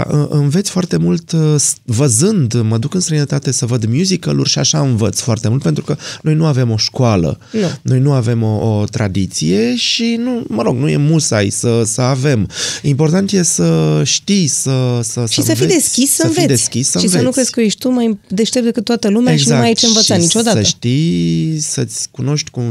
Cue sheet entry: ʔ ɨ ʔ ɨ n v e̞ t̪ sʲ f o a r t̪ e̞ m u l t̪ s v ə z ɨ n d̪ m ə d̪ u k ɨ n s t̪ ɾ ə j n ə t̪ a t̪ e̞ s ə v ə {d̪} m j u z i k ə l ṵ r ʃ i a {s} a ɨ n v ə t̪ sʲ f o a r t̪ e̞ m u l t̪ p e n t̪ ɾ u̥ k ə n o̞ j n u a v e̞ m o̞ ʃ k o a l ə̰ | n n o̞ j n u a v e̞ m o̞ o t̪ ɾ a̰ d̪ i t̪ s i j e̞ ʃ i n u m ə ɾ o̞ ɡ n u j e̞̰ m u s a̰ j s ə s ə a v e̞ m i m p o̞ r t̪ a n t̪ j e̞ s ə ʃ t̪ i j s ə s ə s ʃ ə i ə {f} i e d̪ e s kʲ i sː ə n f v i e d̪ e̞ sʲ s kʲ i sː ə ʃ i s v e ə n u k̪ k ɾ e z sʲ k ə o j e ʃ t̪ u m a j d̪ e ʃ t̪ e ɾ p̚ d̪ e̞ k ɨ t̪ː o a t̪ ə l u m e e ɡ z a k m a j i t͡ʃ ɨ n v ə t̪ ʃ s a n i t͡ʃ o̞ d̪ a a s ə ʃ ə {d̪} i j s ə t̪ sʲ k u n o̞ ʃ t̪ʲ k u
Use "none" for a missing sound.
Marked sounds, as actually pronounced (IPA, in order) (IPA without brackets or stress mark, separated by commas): d̪, ʃ, f, t̪